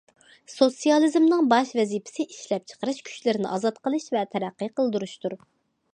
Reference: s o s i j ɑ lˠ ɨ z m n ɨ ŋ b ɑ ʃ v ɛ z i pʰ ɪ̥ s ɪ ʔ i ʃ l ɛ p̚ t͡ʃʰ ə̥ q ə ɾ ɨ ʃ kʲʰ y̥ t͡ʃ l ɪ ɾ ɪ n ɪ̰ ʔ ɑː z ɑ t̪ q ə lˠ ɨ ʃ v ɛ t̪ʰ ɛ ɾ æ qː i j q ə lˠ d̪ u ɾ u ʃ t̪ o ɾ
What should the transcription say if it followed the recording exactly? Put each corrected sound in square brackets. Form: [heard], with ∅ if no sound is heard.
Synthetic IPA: s o s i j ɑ lˠ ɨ z m n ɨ ŋ b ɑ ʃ v ɛ z i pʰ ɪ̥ s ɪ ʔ i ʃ l ɛ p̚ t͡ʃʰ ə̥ q ə ɾ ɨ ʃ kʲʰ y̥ t͡ʃ l ɪ ɾ ɪ n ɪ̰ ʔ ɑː z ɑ t̪ q ə lˠ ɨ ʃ v ɛ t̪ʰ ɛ ɾ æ qː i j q ə lˠ d̪ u ɾ u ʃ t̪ [u] ɾ